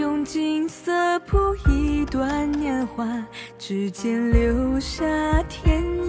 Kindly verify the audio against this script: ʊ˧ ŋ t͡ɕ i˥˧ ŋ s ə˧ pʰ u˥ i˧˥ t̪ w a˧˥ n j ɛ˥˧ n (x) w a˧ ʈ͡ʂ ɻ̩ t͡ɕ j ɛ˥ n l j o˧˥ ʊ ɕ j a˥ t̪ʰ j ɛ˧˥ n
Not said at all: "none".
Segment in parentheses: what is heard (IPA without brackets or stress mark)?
x